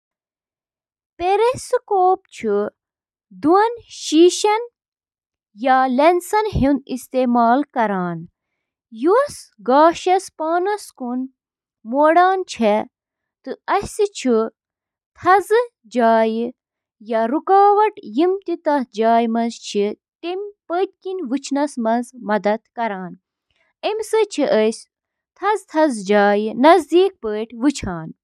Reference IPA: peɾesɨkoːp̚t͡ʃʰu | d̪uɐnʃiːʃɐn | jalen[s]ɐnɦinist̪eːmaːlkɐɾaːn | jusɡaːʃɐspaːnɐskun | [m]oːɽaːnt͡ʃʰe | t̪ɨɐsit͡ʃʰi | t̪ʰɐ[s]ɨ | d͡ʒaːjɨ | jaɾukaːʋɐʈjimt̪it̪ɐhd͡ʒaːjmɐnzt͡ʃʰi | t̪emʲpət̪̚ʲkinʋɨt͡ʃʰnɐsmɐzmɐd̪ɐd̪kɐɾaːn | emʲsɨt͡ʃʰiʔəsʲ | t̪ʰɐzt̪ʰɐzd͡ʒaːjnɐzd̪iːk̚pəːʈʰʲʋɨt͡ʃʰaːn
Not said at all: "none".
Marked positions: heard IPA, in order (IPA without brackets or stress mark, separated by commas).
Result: s, m, z